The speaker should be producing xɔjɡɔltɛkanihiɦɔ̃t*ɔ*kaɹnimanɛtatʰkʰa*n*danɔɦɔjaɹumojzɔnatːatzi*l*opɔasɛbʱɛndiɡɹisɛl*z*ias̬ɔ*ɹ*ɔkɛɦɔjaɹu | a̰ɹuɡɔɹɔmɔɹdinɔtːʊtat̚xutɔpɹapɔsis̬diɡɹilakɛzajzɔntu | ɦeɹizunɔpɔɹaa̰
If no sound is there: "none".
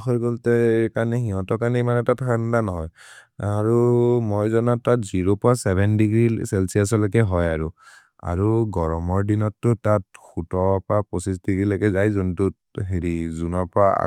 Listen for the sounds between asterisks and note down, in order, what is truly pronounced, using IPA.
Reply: ɔ, n, ɹ, s, l

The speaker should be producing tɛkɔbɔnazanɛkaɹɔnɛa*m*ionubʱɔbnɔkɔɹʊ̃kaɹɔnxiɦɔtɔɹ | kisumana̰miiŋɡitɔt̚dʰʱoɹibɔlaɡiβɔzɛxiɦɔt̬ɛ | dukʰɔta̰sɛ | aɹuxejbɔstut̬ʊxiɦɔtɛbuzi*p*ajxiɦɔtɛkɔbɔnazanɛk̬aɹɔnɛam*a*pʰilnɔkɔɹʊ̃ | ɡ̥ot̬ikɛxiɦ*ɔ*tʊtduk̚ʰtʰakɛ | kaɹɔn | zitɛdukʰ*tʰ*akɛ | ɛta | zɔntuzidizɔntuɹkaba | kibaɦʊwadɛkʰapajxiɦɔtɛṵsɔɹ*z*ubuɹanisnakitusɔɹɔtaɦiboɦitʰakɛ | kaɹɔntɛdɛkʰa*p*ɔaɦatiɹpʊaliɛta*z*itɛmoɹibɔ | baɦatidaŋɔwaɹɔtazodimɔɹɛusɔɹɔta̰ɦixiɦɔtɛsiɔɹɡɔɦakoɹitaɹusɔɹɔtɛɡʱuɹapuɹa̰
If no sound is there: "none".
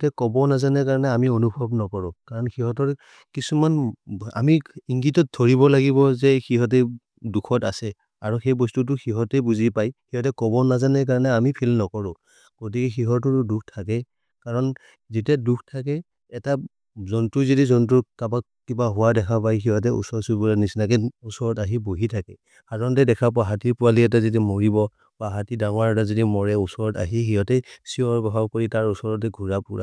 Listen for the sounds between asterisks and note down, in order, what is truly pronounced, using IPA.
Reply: m, p, i, ɔ, tʰ, s, p, z

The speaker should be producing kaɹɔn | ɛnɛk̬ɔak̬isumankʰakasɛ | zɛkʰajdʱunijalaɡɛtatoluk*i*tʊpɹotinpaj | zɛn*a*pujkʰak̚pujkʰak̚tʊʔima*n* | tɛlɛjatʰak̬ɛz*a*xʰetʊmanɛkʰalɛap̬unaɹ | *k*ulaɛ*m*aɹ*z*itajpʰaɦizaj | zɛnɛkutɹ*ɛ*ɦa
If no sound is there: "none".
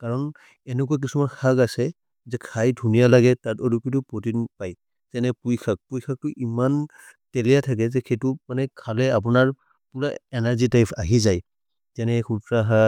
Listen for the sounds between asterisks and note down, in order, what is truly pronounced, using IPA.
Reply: i, ɛ, n, ɛ, p, n, z, a

